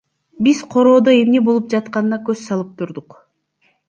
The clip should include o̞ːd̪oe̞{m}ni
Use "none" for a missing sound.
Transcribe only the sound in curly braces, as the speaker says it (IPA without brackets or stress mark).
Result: m